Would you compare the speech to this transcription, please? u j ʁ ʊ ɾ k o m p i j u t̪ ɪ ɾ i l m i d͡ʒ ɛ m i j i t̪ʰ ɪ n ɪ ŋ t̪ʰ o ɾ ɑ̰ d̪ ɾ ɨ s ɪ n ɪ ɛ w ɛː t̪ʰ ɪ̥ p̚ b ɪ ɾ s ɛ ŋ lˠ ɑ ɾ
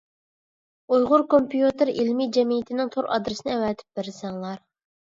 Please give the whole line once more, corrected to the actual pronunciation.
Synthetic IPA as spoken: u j ʁ ʊ ɾ k o m p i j u t̪ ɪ ɾ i l m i d͡ʒ ɛ m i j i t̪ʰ ɪ n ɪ ŋ t̪ʰ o ɾ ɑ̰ d̪ ɾ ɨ s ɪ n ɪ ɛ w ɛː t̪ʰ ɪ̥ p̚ b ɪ ɾ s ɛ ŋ lˠ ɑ ɾ